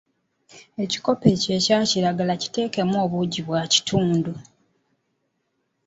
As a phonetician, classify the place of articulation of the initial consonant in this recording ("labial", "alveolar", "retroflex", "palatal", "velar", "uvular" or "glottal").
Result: palatal